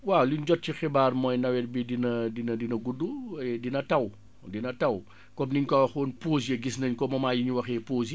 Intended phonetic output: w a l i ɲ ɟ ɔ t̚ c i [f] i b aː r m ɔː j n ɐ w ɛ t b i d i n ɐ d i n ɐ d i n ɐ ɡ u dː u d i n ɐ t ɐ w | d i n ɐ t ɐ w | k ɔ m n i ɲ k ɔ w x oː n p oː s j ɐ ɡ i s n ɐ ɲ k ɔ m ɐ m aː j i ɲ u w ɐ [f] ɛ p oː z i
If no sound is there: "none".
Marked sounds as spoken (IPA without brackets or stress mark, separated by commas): x, x